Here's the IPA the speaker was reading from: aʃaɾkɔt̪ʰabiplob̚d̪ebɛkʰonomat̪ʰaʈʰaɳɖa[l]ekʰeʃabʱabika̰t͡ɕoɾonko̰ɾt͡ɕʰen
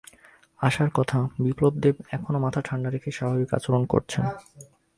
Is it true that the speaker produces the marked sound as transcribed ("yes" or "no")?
no